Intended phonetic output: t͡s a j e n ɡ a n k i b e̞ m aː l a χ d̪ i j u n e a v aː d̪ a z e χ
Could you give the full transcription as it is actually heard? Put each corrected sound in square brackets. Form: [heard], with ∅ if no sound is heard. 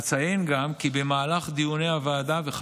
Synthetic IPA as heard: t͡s a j e n ɡ a [m] k i b e̞ m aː l a χ d̪ i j u n e a v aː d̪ a [v] e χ